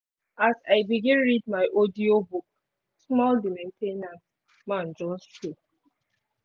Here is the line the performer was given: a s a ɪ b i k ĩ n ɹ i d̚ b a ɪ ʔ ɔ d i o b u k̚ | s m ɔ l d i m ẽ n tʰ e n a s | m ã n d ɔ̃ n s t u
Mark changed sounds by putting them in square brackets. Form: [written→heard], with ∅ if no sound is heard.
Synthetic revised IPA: a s a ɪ b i [k→ɡ] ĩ n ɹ i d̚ [b→m] a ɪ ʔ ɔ d i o b u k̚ | s m ɔ l d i m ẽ n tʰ e n a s | m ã n [d→d͡ʒ] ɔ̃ n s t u